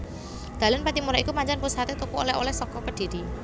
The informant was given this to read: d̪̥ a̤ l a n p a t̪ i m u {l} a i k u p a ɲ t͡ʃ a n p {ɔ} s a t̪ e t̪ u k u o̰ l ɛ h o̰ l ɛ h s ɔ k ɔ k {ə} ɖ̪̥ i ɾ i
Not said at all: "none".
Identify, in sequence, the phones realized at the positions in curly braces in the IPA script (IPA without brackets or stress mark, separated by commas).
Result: ɾ, u, ə